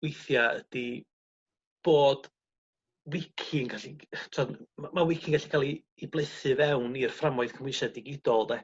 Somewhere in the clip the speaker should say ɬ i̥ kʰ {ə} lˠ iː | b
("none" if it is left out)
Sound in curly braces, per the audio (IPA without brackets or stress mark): a